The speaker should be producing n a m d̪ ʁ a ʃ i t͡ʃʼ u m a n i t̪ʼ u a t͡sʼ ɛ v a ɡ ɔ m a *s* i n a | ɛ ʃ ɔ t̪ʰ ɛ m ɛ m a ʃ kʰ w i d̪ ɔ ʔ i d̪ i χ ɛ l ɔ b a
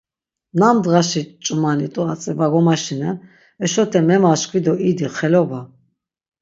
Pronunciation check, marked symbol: incorrect: ʃ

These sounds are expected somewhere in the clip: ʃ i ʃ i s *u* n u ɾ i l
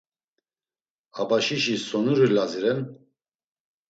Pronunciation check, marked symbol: incorrect: ɔ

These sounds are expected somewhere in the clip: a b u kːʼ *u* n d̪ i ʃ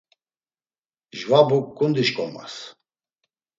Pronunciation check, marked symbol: correct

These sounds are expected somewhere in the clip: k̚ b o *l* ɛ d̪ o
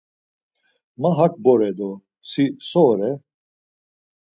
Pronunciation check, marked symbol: incorrect: ɾ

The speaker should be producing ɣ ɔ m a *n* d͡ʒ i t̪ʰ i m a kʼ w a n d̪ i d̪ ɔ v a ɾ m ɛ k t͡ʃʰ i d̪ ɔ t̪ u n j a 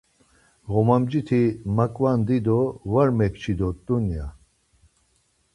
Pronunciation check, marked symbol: incorrect: m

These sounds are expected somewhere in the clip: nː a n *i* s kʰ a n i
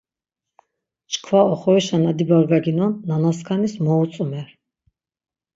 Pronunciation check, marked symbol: incorrect: a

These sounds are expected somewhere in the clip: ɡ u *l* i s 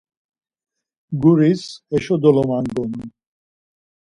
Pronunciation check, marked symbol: incorrect: ɾ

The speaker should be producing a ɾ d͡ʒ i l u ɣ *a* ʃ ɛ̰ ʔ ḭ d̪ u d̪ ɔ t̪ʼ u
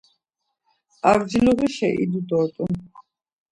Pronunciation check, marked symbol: incorrect: i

